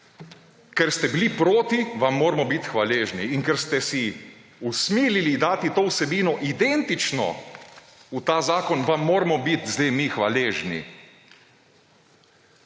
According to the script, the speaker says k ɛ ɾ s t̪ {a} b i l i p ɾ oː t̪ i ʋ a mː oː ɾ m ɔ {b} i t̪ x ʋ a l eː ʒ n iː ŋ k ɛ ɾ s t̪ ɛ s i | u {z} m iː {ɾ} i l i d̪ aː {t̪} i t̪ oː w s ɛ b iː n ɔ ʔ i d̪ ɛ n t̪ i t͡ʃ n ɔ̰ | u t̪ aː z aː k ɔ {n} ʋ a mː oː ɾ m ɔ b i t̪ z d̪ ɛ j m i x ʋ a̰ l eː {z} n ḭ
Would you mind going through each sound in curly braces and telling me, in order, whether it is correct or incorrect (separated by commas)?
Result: incorrect, correct, incorrect, incorrect, correct, correct, incorrect